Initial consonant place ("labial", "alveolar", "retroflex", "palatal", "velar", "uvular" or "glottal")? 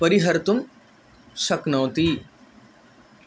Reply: labial